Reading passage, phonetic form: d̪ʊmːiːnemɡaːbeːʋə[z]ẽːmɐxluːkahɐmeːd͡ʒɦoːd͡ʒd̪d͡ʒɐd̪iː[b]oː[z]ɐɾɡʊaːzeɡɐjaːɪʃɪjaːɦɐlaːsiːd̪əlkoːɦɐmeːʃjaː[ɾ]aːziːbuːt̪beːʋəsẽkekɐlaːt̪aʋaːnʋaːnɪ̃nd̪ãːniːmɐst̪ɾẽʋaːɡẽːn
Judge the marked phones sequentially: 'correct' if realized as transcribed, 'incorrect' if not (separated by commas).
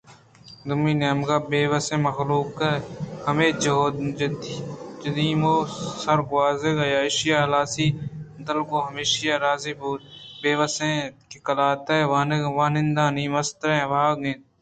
incorrect, incorrect, incorrect, correct